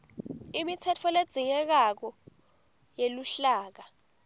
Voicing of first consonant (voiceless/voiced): voiced